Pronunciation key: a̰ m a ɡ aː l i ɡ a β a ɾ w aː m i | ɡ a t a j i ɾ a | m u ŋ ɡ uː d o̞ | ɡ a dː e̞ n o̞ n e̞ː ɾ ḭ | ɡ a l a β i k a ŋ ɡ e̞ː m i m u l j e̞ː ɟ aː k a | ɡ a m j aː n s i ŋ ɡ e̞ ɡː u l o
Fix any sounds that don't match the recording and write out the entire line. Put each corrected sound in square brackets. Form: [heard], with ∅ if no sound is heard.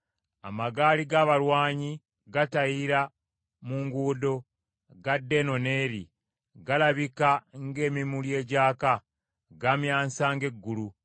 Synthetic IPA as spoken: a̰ m a ɡ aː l i ɡ a β a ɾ w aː [ɲ] i | ɡ a t a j i ɾ a | m u ŋ ɡ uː d o̞ | ɡ a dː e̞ n o̞ n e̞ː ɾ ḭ | ɡ a l a β i k a ŋ ɡ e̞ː m i m u l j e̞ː ɟ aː k a | ɡ a m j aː n s [a] ŋ ɡ e̞ ɡː u l [u]